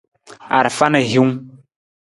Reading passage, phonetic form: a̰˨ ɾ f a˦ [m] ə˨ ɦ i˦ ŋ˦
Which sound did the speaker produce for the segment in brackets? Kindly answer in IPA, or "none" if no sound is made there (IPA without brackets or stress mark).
n